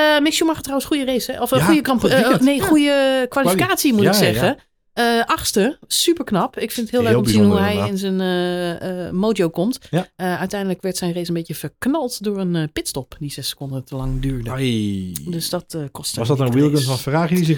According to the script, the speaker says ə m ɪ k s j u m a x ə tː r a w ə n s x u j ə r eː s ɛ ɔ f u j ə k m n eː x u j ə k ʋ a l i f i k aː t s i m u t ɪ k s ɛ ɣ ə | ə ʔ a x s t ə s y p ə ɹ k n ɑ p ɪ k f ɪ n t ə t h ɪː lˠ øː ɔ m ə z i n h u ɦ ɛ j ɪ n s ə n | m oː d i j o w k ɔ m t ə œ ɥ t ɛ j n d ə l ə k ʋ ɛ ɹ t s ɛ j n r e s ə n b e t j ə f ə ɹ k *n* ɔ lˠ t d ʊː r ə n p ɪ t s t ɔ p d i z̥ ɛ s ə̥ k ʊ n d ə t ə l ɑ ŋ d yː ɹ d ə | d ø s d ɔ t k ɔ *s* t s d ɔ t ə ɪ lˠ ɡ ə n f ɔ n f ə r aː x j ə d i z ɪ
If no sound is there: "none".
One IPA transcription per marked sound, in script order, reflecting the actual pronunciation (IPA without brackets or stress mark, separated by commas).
n, s